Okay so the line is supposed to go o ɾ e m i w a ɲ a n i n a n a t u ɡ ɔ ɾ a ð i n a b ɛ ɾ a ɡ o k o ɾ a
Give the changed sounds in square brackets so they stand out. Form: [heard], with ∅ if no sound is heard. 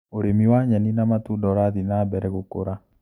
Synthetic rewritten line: o ɾ e m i w a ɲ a n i n a [m] a t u [d] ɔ ɾ a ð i n a b ɛ ɾ [ɛ] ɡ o k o ɾ a

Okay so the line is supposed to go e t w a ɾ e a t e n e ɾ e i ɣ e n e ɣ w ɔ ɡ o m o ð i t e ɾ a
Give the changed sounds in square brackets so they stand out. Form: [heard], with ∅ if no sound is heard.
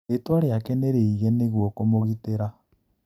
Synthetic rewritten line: e t w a ɾ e a [k] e n e ɾ e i ɣ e n e ɣ w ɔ [k] o m o [ɣ] i t e ɾ a

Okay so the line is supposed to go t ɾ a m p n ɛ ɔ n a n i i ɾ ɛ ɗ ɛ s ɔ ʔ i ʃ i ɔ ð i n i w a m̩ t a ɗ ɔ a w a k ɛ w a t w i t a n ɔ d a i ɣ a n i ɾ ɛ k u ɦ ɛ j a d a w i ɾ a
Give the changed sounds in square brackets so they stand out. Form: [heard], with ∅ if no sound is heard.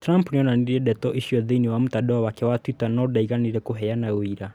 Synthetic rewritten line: t ɾ a m p n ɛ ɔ n a n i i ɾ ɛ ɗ ɛ [t] ɔ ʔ i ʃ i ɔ ð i n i w a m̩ t a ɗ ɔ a w a k ɛ w a t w i t a n ɔ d a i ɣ a n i ɾ ɛ k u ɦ ɛ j a [n] a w i ɾ a

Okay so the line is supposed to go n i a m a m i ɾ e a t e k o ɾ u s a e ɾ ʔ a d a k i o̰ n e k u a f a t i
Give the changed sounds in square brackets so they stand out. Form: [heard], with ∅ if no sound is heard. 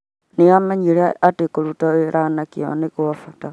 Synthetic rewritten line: n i a m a [ɲ] i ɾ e a t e k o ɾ u [t] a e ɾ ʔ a [n] a k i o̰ n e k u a f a t [a]

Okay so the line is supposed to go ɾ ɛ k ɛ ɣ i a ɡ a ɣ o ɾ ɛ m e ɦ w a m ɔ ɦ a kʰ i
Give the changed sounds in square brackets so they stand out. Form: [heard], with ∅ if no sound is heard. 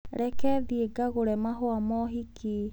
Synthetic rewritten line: ɾ ɛ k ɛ [ð] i [e] ɡ a ɣ o ɾ ɛ m [a] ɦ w a m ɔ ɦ [i] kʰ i

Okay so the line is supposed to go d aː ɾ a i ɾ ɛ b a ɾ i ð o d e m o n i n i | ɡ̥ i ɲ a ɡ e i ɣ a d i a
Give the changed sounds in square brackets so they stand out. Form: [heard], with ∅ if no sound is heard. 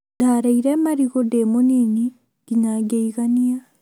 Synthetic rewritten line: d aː ɾ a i ɾ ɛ [m] a ɾ i [ɣ] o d e m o n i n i | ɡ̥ i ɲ a ɡ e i ɣ a [n] i a

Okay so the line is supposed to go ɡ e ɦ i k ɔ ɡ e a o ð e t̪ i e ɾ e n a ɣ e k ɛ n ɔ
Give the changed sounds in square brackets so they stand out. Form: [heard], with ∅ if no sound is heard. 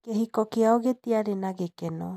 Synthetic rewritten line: [k] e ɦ i k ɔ [k] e a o [ɣ] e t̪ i [a] ɾ e n a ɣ e k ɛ n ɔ

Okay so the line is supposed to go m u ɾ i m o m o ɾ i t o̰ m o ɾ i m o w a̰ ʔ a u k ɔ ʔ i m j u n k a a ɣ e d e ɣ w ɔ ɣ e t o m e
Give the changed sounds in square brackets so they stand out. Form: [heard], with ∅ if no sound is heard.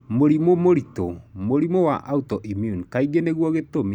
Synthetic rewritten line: m [o] ɾ i m o m o ɾ i t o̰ m o ɾ i m o w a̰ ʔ a u [t] ɔ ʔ i m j u n k a [i] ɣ e [n] e ɣ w ɔ ɣ e t o m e

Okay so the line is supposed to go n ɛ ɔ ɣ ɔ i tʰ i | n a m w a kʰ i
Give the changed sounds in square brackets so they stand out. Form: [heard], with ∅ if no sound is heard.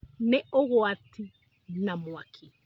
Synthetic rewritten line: n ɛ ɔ ɣ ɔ [a] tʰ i | n a m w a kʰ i

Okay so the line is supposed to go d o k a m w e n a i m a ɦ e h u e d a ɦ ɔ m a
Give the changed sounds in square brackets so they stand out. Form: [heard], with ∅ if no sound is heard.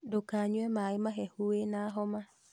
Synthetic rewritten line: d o k a [ɲ] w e [m] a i m a ɦ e h u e [n] a ɦ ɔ m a

